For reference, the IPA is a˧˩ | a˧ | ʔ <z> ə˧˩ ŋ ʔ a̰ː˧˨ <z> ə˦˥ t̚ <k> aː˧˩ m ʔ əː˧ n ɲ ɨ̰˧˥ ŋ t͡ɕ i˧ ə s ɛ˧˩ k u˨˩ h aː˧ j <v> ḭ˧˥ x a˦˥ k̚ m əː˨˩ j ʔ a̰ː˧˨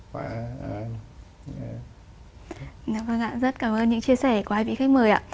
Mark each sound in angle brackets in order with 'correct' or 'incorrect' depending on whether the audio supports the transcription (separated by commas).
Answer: incorrect, correct, correct, correct